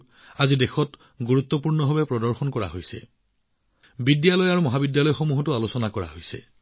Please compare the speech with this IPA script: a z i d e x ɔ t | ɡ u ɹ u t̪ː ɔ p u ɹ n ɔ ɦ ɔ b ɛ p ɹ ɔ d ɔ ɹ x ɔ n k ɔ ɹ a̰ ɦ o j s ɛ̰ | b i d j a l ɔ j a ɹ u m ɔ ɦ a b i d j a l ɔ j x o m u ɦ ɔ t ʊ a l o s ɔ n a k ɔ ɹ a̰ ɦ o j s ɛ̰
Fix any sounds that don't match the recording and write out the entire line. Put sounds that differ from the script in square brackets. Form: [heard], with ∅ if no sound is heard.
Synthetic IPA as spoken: a z i d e x ɔ t | ɡ u ɹ u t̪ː ɔ p u ɹ n ɔ ɦ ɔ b ɛ p ɹ ɔ d ɔ ɹ x ɔ n k ɔ ɹ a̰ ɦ o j s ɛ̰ | b i d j a l ɔ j a ɹ u m ɔ ɦ a b i d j a l ɔ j x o m u ɦ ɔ t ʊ a l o s ɔ n a k ɔ ɹ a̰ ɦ o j s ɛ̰